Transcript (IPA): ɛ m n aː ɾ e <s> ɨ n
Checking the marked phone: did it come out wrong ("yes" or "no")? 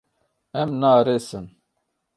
no